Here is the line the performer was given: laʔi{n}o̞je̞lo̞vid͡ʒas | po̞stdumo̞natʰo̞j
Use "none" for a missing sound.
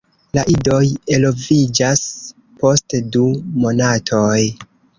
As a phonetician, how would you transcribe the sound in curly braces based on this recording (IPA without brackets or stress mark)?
d